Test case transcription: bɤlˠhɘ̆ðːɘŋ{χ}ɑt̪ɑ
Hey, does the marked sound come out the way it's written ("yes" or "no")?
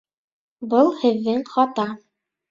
yes